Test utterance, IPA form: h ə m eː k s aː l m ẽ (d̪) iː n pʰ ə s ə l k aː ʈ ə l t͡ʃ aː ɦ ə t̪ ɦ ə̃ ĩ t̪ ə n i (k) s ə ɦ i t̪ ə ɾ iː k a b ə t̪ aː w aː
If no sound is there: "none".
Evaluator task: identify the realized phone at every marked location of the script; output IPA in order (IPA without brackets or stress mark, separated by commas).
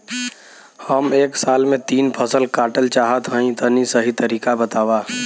t̪, none